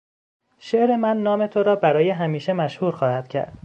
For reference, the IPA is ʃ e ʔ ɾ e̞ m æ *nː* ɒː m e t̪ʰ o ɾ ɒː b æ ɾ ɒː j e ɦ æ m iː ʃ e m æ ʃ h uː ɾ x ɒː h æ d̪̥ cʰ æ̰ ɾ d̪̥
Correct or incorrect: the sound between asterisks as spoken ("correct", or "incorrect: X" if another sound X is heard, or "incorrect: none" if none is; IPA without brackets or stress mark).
correct